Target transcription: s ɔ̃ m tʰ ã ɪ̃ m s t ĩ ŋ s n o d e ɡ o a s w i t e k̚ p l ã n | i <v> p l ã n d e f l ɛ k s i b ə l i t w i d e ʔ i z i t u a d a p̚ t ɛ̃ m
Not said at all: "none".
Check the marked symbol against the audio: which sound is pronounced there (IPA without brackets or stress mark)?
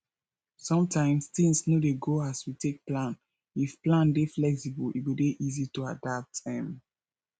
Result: f